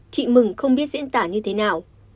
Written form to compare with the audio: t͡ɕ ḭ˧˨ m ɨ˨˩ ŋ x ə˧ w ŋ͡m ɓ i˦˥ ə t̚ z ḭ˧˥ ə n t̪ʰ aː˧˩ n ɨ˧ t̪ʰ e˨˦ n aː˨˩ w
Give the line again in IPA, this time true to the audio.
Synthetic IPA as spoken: t͡ɕ ḭ˧˨ m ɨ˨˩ ŋ x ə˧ w ŋ͡m ɓ i˦˥ ə t̚ z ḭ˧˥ ə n t̪ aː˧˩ ɲ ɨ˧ t̪ʰ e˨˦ n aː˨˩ w